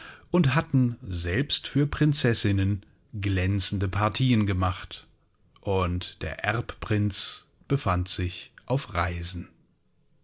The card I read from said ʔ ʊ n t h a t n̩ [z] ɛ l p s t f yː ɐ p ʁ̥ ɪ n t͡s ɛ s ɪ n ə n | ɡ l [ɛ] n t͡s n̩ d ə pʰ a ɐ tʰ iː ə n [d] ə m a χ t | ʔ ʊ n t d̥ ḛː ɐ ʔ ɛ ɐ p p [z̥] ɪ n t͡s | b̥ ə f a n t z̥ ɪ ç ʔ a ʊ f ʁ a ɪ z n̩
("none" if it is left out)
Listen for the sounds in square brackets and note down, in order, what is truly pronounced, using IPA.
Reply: z, ɛ, ɡ, ʁ̥

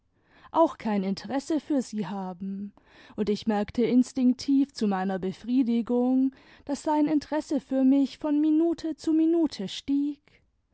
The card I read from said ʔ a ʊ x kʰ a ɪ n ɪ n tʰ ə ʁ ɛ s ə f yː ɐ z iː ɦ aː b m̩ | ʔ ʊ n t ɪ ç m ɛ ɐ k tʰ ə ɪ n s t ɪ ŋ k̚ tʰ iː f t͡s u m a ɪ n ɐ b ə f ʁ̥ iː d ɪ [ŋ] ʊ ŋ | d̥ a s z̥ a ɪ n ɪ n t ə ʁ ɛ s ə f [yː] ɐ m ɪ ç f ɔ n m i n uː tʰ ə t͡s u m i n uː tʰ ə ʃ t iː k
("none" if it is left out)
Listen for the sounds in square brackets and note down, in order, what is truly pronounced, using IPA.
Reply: ɡ, yː

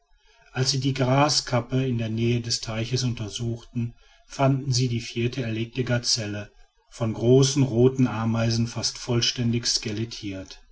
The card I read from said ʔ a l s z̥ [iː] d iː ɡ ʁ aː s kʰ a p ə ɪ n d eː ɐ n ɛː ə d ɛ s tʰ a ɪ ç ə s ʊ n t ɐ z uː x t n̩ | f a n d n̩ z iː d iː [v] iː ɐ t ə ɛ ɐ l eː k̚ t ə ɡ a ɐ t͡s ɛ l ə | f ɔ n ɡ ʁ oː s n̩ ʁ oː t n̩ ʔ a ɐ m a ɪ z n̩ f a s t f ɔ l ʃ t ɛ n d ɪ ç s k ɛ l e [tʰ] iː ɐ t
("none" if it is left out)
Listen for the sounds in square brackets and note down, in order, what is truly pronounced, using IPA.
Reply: iː, f, tʰ

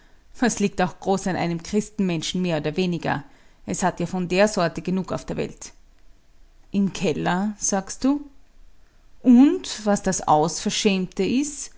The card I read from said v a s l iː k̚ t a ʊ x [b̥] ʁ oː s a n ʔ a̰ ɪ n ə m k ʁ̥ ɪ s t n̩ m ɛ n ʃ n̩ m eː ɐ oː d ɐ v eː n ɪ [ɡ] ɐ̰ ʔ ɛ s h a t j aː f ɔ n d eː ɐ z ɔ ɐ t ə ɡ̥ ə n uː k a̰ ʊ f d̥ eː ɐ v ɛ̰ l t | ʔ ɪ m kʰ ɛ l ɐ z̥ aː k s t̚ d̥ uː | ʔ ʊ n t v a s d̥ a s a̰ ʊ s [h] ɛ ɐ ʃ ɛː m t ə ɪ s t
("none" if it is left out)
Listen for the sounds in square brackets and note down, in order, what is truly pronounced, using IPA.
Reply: ɡ̥, ɡ, f

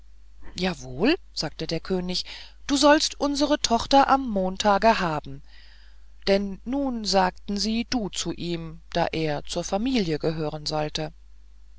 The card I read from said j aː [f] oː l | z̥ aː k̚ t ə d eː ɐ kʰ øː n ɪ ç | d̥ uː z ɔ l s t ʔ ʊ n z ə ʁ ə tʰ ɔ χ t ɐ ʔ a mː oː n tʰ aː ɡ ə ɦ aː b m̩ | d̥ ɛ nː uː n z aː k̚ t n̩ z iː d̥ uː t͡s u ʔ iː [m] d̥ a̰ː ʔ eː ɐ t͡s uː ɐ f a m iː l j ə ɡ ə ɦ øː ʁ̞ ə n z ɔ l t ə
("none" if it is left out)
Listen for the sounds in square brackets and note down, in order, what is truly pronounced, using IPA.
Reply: v, m

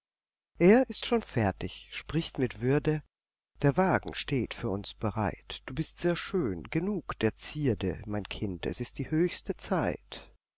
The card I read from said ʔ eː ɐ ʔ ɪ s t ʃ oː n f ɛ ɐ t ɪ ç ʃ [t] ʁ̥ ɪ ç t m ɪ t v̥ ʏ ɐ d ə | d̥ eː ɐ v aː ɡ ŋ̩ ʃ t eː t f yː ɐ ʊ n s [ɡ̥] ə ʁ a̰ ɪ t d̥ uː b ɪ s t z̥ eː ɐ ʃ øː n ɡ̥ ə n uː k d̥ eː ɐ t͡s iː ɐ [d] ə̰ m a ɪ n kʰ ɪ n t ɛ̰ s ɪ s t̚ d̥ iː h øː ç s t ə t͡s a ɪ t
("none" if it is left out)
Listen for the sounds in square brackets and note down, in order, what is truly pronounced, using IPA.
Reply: p, b̥, d

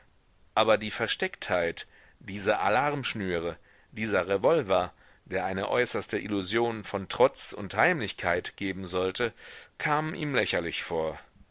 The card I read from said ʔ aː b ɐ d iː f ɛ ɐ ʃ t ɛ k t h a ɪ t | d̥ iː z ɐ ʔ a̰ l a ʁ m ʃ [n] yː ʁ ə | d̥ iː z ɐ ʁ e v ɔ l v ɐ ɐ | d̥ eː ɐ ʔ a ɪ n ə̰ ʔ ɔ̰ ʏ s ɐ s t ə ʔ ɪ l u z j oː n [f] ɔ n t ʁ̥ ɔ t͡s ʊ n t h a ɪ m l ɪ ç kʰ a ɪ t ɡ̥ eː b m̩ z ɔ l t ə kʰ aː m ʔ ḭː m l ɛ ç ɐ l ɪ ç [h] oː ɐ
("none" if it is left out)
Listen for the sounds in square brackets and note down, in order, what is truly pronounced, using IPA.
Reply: n, f, f

